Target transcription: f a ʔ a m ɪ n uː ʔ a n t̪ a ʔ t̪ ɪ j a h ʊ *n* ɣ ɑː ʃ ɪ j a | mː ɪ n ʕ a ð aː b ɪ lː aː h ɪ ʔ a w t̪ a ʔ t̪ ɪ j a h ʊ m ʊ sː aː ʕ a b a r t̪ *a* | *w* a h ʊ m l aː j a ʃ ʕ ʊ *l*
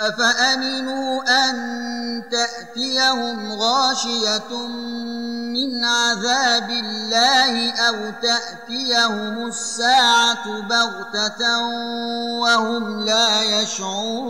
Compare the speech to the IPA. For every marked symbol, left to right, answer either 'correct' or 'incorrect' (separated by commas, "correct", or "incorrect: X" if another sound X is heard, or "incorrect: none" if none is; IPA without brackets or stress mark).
incorrect: m, correct, correct, incorrect: ɾ